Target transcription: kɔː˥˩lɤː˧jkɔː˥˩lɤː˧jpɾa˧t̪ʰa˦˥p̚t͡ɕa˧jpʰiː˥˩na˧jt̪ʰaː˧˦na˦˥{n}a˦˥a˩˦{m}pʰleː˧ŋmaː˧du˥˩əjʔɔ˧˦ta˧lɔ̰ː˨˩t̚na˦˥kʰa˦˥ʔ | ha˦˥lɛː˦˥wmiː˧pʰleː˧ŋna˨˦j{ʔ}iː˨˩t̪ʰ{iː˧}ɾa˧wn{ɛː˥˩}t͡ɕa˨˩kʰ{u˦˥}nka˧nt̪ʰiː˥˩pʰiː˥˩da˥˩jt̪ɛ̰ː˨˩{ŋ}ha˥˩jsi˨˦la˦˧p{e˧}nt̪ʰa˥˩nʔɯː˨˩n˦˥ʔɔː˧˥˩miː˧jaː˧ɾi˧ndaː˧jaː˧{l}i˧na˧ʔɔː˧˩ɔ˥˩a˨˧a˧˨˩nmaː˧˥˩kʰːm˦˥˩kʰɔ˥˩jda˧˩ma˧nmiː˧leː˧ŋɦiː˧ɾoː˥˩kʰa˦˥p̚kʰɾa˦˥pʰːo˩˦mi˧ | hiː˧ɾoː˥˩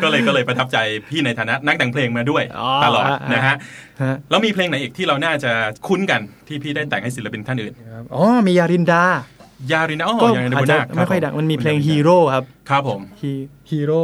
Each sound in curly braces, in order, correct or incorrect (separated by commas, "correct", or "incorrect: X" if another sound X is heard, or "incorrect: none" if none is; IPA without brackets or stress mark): correct, incorrect: ŋ, correct, incorrect: iː˥˩, incorrect: aː˥˩, correct, correct, incorrect: i˧, incorrect: ɾ